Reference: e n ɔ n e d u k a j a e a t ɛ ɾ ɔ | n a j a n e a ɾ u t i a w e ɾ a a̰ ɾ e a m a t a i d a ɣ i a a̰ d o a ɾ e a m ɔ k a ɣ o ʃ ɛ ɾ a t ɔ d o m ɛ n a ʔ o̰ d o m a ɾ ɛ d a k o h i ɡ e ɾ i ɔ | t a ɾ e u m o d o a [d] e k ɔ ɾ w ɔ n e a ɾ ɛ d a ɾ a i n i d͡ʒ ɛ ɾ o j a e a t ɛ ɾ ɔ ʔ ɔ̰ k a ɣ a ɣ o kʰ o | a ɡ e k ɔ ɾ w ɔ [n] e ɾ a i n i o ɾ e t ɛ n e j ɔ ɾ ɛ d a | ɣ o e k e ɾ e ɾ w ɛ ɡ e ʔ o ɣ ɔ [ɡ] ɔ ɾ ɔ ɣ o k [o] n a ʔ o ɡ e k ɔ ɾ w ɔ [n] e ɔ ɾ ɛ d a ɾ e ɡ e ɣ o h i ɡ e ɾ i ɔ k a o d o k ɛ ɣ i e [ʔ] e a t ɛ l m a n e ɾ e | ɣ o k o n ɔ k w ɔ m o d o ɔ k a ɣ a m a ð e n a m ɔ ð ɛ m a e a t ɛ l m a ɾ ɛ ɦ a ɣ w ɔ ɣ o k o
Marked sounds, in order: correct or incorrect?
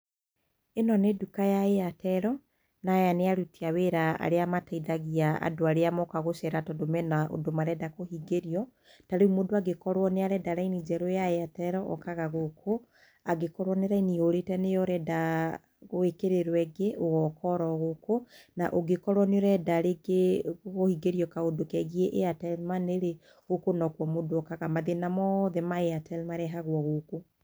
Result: incorrect: ɡ, correct, incorrect: k, correct, correct, correct

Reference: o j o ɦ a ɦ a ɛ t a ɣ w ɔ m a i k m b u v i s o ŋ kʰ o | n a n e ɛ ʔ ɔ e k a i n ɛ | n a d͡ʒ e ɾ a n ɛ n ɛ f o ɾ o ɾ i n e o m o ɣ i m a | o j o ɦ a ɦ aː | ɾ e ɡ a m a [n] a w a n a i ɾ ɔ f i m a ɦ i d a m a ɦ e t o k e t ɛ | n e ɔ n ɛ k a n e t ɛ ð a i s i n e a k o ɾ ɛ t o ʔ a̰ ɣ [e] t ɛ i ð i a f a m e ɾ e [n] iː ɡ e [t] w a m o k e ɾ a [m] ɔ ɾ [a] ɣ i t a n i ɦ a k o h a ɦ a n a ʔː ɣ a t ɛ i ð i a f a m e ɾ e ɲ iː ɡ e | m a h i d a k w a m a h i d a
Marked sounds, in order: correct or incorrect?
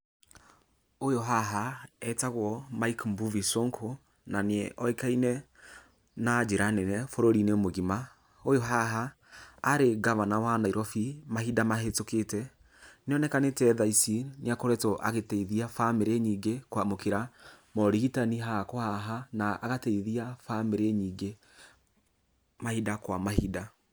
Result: correct, correct, incorrect: ɲ, incorrect: k, correct, incorrect: i

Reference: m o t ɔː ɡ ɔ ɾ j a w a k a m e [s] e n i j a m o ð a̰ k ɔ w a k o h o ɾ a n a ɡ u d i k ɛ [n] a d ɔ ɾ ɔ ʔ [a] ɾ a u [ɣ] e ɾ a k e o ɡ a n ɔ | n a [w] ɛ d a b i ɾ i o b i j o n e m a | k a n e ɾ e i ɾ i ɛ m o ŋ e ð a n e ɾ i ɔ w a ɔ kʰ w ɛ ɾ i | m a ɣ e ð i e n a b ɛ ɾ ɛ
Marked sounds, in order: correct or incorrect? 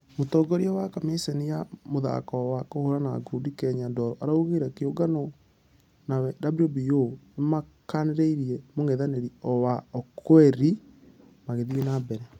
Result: correct, incorrect: ɲ, correct, correct, correct

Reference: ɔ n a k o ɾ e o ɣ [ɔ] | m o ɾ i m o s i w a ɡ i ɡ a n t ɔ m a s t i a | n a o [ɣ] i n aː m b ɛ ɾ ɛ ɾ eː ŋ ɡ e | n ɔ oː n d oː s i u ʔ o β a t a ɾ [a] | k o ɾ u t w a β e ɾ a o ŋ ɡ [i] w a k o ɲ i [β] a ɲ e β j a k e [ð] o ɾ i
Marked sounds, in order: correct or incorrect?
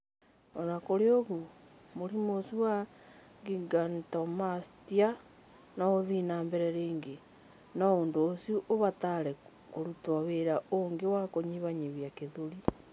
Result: incorrect: u, incorrect: ð, incorrect: ɛ, incorrect: e, correct, correct

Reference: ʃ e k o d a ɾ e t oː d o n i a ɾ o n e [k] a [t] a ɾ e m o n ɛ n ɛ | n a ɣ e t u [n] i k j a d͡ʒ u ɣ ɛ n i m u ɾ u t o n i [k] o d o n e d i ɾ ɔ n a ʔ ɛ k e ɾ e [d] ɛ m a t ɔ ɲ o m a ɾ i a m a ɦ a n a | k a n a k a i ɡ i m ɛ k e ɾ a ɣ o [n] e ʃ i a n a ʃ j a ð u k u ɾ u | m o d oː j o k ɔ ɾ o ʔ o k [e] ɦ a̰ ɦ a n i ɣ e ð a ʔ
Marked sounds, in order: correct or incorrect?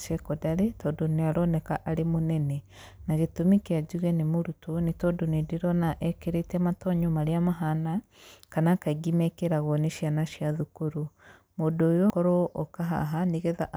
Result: correct, incorrect: ʔ, incorrect: m, incorrect: t, incorrect: t, correct, incorrect: a

